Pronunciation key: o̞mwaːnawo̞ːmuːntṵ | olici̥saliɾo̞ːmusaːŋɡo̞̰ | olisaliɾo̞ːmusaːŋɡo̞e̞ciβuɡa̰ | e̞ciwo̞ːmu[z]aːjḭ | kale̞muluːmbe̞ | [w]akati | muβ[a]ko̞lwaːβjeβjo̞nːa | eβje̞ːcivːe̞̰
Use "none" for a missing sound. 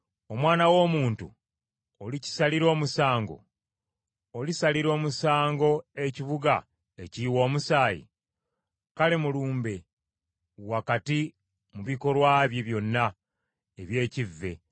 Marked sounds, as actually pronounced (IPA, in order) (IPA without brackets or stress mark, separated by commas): s, w, i